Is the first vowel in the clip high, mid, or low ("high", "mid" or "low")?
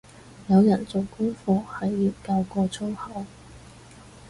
low